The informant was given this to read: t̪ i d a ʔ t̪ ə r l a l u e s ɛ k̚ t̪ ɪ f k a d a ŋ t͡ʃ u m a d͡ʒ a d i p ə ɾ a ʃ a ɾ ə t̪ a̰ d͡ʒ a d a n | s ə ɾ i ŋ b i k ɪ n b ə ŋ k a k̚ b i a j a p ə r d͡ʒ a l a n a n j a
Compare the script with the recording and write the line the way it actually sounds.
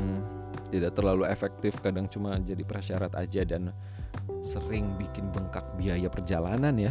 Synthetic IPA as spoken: t̪ i d a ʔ t̪ ə r l a l u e f ɛ k̚ t̪ ɪ f k a d a ŋ t͡ʃ u m a d͡ʒ a d i p ə ɾ a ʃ a ɾ a t̪ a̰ d͡ʒ a d a n | s ə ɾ ɪ ŋ b i k ɪ n b ə ŋ k a k̚ b i a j a p ə r d͡ʒ a l a n a n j a